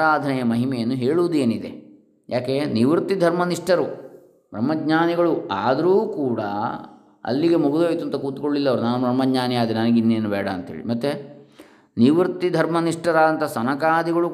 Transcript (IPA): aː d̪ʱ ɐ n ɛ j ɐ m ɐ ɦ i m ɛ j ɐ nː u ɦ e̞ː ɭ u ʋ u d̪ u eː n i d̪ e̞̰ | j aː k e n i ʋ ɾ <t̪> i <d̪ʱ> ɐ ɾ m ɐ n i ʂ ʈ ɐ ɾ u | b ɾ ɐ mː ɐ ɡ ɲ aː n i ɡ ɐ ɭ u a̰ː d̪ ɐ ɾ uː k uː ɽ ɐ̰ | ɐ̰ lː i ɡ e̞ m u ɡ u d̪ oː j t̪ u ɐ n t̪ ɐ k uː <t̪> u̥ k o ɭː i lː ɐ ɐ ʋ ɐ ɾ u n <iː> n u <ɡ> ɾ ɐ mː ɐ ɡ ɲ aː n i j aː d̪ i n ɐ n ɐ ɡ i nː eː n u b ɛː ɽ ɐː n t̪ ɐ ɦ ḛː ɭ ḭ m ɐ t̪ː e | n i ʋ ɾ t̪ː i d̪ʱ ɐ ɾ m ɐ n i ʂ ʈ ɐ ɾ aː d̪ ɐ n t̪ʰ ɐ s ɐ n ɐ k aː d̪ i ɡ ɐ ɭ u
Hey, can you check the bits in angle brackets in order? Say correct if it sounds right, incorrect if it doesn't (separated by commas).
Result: correct, correct, correct, incorrect, incorrect